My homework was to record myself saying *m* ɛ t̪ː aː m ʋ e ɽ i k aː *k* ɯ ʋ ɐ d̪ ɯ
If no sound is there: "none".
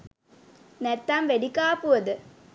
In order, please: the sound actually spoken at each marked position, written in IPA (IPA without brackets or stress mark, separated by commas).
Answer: n, p